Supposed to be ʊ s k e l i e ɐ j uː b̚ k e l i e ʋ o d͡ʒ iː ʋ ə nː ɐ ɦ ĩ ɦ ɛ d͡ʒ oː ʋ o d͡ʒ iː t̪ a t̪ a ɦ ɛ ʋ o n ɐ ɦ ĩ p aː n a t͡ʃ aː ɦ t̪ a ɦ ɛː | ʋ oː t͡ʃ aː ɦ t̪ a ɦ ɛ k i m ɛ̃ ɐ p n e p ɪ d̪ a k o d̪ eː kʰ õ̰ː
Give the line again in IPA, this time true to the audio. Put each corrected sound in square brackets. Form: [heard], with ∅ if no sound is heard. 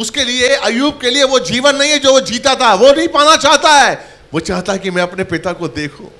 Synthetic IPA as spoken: ʊ s k e l i e ɐ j uː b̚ k e l i e ʋ o d͡ʒ iː ʋ ə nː ɐ ɦ ĩ ɦ ɛ d͡ʒ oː ʋ o d͡ʒ iː t̪ a t̪ a ɦ ɛ ʋ o n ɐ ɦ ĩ p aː n a t͡ʃ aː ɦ t̪ a ɦ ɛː | ʋ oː t͡ʃ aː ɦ t̪ a ɦ ɛ k i m ɛ̃ ɐ p n e p ɪ [t̪] a k o d̪ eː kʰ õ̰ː